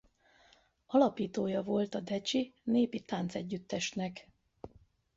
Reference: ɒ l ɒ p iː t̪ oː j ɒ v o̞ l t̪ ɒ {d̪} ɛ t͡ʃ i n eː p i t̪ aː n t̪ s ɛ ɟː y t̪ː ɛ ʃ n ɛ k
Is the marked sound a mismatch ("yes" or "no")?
no